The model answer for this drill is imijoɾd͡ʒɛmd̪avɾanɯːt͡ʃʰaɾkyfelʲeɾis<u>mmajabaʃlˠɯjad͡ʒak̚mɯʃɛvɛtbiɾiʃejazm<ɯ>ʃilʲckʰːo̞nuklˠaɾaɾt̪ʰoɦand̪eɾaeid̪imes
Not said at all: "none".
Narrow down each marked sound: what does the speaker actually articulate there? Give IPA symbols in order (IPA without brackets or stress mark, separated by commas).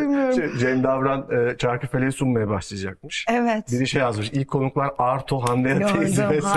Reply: u, ɯ